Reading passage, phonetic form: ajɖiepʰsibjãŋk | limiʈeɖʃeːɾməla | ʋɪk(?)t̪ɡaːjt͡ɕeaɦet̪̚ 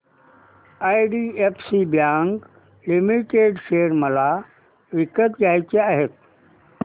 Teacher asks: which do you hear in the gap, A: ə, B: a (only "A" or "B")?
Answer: A